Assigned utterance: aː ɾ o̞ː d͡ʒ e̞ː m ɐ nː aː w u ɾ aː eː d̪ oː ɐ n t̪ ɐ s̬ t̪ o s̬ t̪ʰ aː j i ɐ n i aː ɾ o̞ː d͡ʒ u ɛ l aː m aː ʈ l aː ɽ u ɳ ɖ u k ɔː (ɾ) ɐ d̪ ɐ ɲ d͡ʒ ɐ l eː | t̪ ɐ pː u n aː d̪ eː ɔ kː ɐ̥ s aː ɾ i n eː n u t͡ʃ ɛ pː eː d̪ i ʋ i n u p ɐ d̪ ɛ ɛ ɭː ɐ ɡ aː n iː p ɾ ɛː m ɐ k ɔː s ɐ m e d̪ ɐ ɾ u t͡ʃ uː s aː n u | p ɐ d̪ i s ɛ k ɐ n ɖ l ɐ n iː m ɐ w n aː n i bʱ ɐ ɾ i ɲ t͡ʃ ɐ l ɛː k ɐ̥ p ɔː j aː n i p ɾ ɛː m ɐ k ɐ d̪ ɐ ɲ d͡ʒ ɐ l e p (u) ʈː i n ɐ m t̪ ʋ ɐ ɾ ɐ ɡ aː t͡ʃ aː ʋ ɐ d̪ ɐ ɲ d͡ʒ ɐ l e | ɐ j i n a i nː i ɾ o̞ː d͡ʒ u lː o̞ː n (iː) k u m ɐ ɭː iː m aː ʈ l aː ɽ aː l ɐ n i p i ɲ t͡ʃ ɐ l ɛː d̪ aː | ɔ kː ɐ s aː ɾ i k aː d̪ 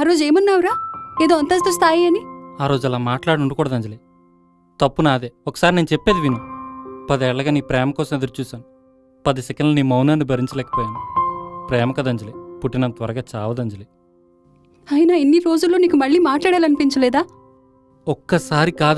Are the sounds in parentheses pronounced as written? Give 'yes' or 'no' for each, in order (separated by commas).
no, yes, yes